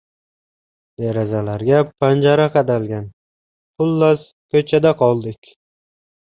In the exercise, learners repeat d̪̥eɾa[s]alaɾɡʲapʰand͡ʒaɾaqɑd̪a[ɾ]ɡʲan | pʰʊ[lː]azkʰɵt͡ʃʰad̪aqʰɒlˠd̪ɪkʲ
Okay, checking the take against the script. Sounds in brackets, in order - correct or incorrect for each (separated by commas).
incorrect, incorrect, correct